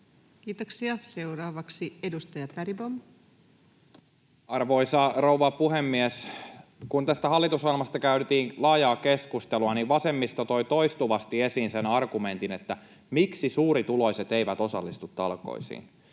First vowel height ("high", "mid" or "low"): high